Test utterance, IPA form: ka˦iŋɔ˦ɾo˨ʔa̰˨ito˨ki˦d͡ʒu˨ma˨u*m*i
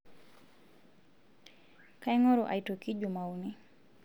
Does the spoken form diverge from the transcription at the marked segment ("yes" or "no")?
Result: yes